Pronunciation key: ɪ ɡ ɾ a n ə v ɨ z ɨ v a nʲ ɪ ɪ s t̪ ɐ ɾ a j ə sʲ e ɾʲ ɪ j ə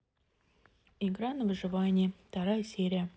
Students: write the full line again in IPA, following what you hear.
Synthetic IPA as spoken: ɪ ɡ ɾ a n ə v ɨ ʐ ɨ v a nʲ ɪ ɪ f t̪ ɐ ɾ a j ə sʲ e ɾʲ ɪ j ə